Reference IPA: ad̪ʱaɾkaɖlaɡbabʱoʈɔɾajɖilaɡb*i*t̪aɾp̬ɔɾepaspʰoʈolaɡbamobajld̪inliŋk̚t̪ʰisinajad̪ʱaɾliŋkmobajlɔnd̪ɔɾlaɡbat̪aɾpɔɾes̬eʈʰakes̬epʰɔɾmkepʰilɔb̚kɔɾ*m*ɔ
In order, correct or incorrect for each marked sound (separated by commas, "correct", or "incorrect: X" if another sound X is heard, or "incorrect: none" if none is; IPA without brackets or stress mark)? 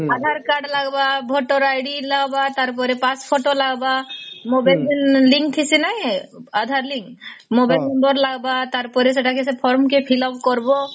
incorrect: a, incorrect: b